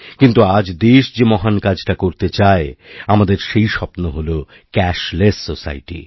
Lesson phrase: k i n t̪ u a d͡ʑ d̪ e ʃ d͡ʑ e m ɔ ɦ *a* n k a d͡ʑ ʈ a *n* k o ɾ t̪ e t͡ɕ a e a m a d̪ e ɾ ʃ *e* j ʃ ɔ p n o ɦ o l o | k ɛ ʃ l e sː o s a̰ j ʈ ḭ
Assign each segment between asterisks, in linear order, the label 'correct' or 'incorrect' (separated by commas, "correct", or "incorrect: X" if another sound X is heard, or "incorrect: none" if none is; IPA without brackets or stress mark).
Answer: correct, incorrect: none, correct